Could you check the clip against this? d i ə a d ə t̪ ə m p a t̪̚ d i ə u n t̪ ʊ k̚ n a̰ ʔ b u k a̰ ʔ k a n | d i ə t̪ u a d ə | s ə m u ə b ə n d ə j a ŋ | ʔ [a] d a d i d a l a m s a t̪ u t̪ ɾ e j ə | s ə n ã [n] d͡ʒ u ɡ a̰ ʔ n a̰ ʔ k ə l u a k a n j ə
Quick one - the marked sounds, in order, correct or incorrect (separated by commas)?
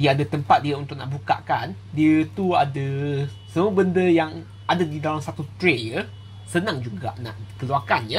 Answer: correct, incorrect